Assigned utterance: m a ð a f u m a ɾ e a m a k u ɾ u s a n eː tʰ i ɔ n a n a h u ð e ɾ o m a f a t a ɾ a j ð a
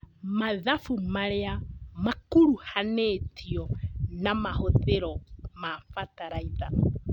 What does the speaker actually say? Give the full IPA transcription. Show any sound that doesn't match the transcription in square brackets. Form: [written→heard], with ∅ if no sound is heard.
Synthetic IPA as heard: m a ð a f u m a ɾ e a m a k u ɾ u [s→h] a n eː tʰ i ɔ n a [n→m] a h [u→o] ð e ɾ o m a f a t a ɾ a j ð a